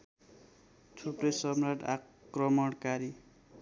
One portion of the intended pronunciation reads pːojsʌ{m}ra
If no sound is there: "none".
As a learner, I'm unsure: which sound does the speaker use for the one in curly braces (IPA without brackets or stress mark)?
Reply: m